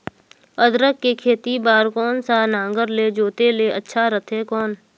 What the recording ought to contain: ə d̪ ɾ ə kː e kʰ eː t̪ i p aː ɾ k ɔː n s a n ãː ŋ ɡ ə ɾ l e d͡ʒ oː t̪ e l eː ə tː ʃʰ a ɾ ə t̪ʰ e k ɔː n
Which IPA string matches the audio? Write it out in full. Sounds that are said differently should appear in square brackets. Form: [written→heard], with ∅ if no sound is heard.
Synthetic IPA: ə d̪ ɾ ə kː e kʰ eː t̪ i [p→b] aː ɾ k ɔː n s a n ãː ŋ ɡ ə ɾ l e d͡ʒ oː t̪ e l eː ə tː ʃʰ a ɾ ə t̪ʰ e k ɔː n